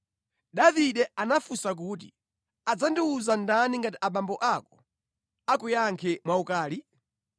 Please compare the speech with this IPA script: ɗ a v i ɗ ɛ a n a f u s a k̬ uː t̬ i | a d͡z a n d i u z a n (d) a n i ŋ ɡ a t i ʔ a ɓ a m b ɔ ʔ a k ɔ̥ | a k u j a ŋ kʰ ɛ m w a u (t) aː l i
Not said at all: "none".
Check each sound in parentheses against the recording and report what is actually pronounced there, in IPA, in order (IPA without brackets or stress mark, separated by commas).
d, k